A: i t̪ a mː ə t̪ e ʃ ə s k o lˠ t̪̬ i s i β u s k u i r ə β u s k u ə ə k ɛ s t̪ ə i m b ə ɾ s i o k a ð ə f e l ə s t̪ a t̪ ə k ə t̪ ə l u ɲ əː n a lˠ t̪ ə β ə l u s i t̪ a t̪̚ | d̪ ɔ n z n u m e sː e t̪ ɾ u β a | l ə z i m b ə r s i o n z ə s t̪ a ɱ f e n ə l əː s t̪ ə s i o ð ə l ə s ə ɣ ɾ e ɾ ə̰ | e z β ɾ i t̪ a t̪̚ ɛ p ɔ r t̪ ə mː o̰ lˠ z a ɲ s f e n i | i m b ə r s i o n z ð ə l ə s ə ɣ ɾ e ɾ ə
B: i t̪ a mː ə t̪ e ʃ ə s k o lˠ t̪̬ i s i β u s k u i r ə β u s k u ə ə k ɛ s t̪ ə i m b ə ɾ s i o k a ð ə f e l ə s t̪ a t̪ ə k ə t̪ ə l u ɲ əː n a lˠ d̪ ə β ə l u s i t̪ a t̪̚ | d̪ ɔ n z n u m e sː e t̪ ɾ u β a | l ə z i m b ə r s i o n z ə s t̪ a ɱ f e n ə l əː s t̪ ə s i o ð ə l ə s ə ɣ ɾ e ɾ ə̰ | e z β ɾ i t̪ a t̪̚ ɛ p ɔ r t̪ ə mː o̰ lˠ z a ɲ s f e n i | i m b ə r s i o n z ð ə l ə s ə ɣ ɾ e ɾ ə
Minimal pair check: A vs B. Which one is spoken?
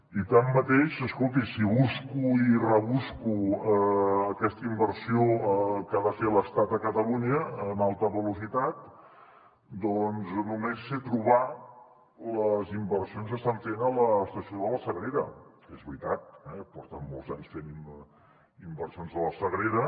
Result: A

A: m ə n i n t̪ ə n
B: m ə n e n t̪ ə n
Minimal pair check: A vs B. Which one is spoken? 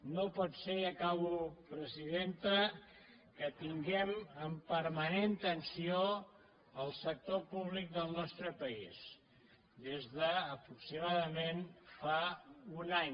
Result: B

